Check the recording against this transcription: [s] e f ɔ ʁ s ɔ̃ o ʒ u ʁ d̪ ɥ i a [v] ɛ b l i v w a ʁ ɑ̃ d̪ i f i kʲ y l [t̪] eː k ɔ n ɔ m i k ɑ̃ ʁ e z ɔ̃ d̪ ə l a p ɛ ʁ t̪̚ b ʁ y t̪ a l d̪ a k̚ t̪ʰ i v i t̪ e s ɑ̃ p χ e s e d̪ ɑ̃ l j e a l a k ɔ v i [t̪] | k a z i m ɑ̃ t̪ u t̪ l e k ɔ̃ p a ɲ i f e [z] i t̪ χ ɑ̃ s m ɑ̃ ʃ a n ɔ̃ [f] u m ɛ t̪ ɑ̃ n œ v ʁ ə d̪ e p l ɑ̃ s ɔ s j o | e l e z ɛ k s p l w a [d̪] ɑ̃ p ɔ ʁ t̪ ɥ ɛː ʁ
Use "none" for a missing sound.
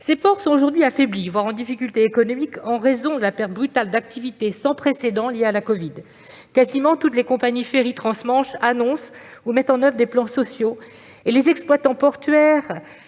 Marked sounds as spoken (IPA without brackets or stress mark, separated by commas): s, f, t̪, d̪, ʁ, s, t̪